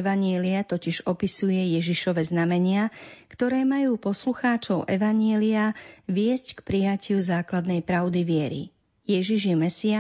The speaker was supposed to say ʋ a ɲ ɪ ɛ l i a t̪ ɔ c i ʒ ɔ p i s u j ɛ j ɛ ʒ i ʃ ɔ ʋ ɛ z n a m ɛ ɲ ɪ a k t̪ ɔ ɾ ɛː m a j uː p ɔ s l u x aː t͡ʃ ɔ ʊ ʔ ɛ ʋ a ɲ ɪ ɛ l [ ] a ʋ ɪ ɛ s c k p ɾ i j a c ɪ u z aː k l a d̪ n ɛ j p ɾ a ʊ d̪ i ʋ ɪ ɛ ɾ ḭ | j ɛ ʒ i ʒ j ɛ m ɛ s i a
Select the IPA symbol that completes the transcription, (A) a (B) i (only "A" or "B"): B